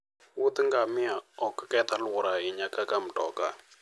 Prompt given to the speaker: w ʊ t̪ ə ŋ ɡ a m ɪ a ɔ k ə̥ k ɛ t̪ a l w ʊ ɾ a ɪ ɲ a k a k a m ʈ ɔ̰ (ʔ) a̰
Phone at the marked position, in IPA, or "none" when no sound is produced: k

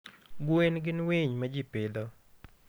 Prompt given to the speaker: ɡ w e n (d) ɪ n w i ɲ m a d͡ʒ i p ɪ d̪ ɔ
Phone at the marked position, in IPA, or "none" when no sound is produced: ɡ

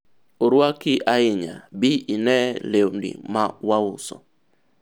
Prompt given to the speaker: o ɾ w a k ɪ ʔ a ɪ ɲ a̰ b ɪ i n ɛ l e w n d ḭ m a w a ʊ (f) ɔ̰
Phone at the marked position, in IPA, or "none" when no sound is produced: s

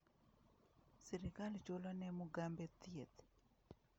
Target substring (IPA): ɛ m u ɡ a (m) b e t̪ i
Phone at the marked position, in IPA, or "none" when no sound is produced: m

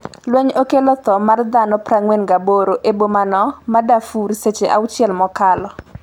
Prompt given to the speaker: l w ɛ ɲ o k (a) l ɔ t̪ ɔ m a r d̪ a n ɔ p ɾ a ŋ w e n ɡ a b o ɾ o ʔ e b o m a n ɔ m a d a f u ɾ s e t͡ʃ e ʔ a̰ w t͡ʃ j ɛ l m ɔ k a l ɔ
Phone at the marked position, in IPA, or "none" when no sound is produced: e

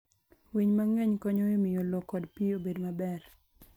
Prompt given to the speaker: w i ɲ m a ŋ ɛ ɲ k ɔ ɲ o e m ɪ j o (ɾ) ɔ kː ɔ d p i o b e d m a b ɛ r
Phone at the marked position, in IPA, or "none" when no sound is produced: l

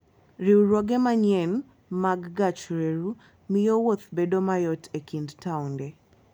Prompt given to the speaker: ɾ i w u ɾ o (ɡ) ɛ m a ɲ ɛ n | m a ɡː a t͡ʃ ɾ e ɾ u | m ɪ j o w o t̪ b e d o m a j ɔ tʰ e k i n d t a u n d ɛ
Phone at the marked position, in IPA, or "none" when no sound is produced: ɡ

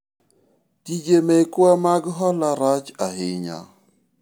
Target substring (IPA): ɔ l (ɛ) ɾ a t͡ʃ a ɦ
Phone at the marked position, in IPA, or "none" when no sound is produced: a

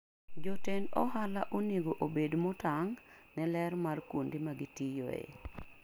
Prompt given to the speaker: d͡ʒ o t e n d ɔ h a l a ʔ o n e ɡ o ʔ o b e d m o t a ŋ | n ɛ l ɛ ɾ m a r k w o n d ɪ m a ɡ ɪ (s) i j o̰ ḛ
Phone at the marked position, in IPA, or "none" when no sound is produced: t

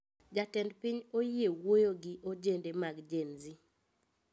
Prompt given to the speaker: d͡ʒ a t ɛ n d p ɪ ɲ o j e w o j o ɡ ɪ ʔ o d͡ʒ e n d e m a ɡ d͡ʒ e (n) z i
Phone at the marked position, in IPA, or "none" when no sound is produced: n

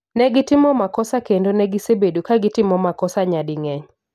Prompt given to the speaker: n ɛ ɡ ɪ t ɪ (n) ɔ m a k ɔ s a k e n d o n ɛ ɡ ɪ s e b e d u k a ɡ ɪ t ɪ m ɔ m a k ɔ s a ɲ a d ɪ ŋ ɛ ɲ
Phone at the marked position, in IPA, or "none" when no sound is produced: m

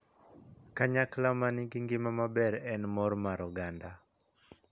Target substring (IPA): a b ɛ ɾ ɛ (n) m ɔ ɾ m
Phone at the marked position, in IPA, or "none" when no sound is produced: n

